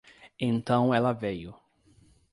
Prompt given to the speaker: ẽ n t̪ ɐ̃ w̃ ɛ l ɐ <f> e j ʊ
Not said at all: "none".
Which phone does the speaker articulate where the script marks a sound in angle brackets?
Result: v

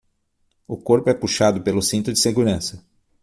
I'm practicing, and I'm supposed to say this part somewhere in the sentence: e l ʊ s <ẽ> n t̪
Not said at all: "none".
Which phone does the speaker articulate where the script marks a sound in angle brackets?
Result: ĩ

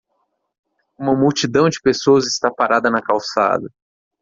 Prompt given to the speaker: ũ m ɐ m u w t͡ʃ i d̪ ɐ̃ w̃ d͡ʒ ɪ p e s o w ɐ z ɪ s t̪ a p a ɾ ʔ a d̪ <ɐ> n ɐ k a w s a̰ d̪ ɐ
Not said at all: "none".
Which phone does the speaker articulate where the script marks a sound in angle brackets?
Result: ɐ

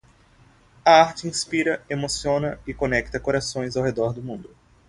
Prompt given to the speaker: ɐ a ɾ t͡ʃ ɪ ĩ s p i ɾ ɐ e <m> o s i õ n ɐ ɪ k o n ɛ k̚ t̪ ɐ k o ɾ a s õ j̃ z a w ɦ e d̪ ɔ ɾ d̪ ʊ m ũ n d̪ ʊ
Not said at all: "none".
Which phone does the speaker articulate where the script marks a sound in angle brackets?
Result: m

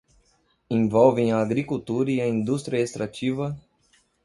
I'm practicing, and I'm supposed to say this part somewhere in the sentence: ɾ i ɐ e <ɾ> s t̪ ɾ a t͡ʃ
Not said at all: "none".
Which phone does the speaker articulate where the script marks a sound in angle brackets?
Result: none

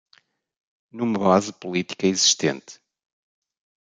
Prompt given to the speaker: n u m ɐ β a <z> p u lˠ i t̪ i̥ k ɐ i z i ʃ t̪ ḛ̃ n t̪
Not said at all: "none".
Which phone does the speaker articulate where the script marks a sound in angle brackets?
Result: z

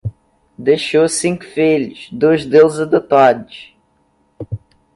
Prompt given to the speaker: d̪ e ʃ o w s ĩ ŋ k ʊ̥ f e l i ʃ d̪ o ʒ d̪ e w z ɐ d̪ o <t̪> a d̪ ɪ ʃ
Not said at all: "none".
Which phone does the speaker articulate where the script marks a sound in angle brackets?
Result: t̪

